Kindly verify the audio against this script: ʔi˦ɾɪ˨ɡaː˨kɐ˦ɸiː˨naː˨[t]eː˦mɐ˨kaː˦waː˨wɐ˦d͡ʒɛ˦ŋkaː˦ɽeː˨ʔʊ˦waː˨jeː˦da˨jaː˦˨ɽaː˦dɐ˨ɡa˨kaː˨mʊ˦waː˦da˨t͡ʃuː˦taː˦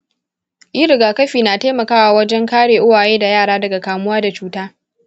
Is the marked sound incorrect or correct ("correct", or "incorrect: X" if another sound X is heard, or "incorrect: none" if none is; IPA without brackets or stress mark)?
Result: correct